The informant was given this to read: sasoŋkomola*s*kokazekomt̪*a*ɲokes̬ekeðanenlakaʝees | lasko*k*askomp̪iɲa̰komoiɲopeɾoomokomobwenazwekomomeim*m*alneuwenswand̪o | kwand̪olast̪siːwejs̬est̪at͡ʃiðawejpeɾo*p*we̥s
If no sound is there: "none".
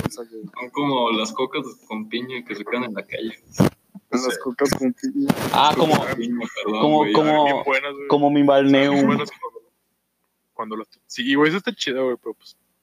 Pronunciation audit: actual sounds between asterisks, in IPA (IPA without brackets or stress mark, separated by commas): s, i, k, b, p